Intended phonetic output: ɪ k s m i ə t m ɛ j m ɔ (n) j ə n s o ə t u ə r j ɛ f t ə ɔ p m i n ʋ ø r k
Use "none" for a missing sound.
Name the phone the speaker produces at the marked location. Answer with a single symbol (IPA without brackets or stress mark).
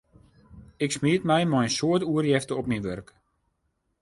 none